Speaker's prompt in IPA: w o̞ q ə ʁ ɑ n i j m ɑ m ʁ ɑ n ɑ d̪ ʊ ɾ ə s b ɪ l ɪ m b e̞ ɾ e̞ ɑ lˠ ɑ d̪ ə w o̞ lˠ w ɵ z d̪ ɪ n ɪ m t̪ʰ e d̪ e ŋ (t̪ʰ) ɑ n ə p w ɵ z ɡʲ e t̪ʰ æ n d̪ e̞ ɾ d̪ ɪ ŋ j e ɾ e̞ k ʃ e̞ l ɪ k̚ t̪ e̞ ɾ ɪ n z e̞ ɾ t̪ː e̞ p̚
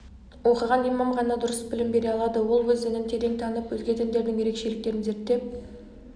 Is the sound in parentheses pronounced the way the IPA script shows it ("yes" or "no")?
yes